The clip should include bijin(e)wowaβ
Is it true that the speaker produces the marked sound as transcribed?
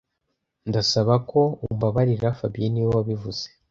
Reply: no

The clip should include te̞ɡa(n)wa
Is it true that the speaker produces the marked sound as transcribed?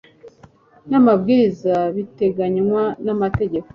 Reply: no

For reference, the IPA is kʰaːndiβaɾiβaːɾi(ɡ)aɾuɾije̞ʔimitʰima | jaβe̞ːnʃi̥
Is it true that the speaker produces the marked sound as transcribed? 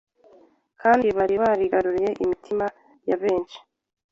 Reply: yes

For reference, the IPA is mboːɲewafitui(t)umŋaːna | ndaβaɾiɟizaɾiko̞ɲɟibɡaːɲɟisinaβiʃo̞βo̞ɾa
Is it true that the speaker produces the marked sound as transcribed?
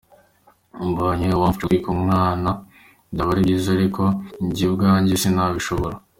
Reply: no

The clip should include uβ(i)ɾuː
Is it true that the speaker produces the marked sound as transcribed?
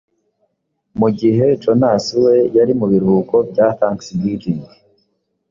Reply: yes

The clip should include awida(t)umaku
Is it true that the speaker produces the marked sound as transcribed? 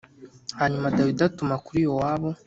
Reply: yes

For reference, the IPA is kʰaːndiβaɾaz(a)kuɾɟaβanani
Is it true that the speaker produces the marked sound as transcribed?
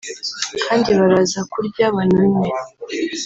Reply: yes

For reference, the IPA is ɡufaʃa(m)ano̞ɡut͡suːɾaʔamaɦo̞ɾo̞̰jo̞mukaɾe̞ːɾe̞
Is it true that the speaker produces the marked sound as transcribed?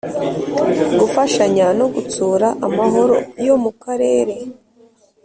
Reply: no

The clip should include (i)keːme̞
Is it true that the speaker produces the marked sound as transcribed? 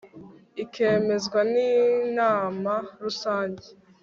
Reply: yes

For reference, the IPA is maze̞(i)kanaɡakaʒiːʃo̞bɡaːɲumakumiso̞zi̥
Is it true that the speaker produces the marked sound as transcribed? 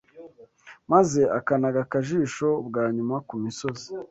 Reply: no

